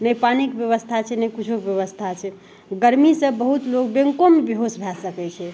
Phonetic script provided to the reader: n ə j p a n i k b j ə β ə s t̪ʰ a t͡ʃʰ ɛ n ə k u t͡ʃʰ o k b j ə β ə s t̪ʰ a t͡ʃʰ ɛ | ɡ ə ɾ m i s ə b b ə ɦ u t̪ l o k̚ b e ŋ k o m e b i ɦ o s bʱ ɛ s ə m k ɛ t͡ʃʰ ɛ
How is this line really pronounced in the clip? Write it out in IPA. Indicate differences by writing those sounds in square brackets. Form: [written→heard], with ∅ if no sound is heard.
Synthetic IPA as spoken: n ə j p a n i k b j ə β ə s t̪ʰ a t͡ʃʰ ɛ n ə k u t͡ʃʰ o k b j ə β ə s t̪ʰ a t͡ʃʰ ɛ | ɡ ə ɾ m i s ə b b ə ɦ u t̪ l o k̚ b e ŋ k o m e b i ɦ o s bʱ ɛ s ə [m→∅] k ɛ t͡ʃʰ ɛ